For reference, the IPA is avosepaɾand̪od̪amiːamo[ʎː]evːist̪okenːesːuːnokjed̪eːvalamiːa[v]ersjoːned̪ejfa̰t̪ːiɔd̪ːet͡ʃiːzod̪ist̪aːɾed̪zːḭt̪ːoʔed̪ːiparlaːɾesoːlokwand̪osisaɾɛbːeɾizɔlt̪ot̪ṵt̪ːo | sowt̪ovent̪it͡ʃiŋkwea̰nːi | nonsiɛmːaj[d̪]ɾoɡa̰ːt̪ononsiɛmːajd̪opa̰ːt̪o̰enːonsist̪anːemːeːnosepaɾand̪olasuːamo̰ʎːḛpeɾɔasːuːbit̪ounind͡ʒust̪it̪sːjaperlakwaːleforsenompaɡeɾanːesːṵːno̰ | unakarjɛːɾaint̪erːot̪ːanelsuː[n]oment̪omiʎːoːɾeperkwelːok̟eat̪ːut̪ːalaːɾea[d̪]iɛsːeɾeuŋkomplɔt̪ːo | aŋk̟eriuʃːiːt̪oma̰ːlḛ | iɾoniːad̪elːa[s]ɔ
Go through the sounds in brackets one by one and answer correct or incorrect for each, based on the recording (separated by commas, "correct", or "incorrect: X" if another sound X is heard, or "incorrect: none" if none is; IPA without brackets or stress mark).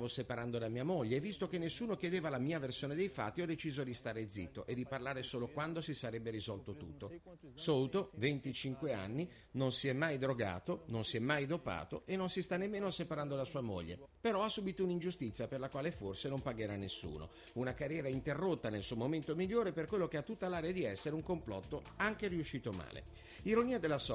correct, correct, correct, incorrect: m, correct, correct